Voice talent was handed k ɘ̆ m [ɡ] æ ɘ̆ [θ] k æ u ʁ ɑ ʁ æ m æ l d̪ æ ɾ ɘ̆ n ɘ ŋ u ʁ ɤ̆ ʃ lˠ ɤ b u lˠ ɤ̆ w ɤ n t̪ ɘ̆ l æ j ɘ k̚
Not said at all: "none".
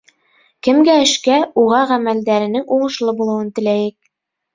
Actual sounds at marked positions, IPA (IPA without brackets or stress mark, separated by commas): ɡ, ʃ